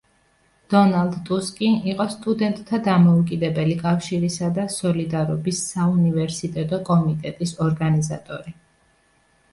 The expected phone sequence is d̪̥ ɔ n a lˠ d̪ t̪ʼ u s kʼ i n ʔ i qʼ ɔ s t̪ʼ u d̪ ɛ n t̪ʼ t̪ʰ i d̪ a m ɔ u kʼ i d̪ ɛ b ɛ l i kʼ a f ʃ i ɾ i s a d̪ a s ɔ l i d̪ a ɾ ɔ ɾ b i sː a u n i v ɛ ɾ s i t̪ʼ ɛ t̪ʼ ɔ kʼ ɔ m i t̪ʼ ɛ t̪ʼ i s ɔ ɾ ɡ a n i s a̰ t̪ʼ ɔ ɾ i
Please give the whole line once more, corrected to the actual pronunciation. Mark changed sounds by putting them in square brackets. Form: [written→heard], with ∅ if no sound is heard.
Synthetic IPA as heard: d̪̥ ɔ n a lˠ d̪ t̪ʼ u s kʼ i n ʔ i qʼ ɔ s t̪ʼ u d̪ ɛ n t̪ʼ t̪ʰ [i→a] d̪ a m ɔ u kʼ i d̪ ɛ b ɛ l i kʼ a f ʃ i ɾ i s a d̪ a s ɔ l i d̪ a ɾ ɔ [ɾ→∅] b i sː a u n i v ɛ ɾ s i t̪ʼ ɛ t̪ʼ ɔ kʼ ɔ m i t̪ʼ ɛ t̪ʼ i s ɔ ɾ ɡ a n i [s→z] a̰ t̪ʼ ɔ ɾ i